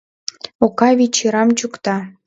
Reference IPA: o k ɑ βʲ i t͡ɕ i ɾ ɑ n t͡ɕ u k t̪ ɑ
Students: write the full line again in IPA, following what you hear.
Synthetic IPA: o k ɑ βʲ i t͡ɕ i ɾ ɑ m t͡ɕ u k t̪ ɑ